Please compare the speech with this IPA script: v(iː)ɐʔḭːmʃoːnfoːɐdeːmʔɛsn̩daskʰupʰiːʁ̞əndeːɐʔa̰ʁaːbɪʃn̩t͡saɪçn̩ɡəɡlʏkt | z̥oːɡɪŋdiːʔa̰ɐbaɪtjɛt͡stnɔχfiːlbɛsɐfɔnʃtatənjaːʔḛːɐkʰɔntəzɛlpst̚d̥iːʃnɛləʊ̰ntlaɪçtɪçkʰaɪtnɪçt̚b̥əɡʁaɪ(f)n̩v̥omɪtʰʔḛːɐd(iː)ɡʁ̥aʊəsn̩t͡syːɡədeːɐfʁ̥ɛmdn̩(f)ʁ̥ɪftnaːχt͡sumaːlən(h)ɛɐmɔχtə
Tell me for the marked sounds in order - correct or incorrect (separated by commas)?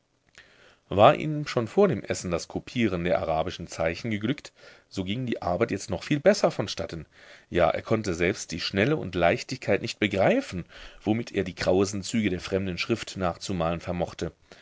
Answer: incorrect, correct, correct, incorrect, incorrect